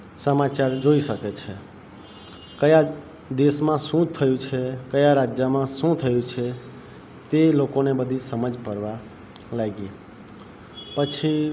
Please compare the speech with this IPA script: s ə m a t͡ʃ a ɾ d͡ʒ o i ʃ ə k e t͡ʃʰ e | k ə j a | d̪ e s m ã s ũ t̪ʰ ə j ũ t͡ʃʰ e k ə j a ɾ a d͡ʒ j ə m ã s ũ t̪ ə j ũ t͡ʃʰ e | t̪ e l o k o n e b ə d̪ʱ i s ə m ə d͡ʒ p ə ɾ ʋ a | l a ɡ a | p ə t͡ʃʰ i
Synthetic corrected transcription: s ə m a t͡ʃ a ɾ d͡ʒ o i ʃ ə k e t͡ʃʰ e | k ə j a | d̪ e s m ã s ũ t̪ʰ ə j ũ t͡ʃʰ e k ə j a ɾ a d͡ʒ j ə m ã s ũ t̪ʰ ə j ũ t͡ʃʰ e | t̪ e l o k o n e b ə d̪ʱ i s ə m ə d͡ʒ p ə ɾ ʋ a | l a ɡ i | p ə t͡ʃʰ i